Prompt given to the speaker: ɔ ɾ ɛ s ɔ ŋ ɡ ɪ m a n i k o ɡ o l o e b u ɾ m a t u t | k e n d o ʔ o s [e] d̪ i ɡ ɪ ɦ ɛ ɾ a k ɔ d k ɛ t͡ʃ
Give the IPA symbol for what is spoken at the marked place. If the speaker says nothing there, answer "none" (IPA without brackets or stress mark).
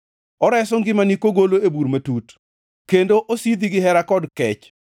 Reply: i